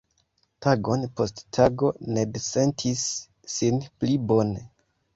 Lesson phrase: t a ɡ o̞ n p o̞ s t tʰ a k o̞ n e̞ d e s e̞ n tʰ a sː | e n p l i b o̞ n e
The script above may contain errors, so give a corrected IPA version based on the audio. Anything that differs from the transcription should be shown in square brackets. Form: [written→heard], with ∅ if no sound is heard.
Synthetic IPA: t a ɡ o̞ n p o̞ s t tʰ a [k→ɡ] o̞ n e̞ d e s e̞ n tʰ [a→i] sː | [e→i] n p l i b o̞ n e